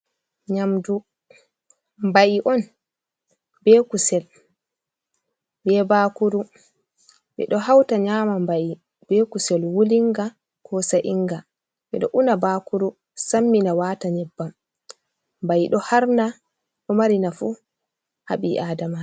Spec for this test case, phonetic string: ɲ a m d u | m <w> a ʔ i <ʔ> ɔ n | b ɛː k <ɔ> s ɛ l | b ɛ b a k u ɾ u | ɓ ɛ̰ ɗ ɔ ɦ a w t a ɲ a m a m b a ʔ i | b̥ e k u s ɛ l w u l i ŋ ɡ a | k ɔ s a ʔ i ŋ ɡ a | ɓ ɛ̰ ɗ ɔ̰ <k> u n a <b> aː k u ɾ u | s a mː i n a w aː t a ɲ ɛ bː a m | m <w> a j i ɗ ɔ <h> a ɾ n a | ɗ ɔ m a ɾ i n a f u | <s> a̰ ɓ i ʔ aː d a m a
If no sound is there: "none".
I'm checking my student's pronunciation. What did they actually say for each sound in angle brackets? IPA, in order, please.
b, ʔ, u, ʔ, b, b, h, h

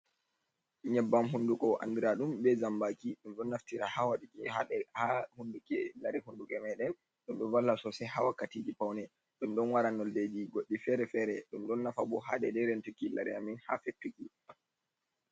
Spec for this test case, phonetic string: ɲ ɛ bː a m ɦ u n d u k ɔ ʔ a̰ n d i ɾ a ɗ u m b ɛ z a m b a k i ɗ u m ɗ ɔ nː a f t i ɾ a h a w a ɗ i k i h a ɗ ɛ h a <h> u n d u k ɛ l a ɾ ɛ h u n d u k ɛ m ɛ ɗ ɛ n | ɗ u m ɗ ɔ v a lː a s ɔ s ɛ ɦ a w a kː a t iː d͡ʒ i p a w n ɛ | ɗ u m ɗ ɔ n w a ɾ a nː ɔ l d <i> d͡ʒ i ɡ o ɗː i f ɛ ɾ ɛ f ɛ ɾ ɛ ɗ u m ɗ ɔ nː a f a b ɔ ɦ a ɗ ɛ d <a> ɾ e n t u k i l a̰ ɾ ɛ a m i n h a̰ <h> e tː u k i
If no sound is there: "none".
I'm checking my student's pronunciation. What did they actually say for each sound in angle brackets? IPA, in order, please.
h, e, ɛ, f

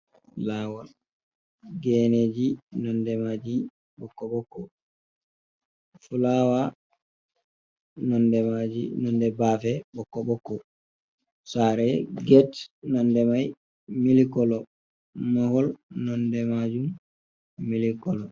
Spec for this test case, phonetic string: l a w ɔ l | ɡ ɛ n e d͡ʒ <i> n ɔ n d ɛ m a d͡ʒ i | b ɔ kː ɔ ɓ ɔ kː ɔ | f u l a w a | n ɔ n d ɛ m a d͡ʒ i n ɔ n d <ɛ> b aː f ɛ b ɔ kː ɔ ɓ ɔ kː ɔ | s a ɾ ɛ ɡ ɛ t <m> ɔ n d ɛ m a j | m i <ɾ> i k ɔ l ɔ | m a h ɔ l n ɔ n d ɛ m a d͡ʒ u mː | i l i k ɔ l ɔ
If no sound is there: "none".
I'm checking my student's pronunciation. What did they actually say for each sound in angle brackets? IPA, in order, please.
i, ɛ, n, l

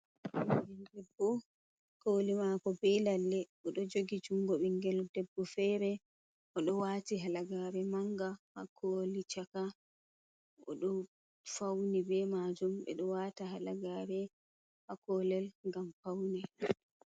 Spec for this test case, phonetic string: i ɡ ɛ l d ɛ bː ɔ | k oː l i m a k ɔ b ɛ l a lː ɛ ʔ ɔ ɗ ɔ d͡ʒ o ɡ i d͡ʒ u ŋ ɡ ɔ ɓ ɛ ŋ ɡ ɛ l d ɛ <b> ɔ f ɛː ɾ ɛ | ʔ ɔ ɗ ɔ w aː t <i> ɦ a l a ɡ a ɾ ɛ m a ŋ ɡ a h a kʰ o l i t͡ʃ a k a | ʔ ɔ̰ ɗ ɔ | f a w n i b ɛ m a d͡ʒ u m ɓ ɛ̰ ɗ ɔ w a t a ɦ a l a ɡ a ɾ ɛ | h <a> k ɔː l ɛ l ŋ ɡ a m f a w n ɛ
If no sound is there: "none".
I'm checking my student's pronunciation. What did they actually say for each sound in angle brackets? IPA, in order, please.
bː, i, a

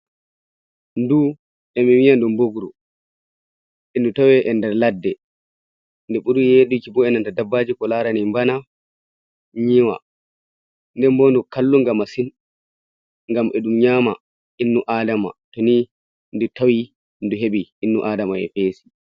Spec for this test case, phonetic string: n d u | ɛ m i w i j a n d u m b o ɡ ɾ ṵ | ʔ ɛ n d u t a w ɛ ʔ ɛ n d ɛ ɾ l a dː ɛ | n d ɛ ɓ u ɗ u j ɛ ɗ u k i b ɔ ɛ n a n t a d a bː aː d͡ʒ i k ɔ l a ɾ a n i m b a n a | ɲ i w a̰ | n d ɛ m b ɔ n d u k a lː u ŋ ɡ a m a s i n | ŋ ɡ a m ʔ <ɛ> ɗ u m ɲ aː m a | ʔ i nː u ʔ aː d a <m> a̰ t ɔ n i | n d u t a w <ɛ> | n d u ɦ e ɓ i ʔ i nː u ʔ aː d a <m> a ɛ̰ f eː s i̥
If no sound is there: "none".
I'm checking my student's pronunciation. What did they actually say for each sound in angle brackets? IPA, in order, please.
ɛ, m, i, m

